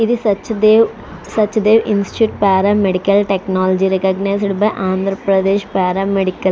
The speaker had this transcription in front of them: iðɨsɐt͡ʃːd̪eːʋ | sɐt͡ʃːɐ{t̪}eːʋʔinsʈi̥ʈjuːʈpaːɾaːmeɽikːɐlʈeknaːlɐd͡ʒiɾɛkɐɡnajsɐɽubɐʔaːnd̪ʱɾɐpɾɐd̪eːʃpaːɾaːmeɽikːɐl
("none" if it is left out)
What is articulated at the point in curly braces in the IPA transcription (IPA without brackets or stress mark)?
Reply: d̪